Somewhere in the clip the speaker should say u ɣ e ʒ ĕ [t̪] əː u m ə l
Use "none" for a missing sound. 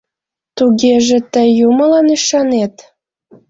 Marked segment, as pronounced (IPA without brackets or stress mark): t̪